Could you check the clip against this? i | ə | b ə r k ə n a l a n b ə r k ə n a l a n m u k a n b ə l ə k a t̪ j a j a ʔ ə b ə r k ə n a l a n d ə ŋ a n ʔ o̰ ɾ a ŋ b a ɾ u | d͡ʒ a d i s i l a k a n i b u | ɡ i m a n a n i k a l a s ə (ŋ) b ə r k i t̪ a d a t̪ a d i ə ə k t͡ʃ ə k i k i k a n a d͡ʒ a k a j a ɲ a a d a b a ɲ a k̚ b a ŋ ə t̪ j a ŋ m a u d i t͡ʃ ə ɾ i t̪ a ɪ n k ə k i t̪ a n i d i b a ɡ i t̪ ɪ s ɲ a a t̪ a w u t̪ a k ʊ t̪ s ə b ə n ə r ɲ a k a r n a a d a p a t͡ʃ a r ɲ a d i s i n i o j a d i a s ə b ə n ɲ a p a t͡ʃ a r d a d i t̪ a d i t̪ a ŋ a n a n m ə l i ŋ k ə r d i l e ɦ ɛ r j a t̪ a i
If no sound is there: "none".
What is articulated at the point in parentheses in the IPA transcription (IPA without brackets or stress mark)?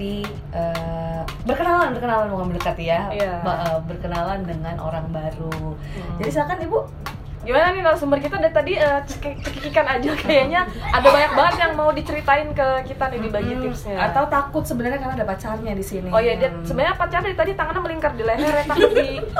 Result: m